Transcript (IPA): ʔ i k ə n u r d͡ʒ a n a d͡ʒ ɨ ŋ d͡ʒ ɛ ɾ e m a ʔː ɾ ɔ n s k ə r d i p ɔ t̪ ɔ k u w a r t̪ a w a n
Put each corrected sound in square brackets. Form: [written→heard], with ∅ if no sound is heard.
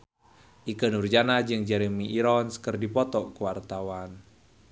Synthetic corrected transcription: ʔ i k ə n u r d͡ʒ a n a d͡ʒ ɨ ŋ d͡ʒ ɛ ɾ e m [a→i] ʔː ɾ ɔ n s k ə r d i p ɔ t̪ ɔ k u w a r t̪ a w a n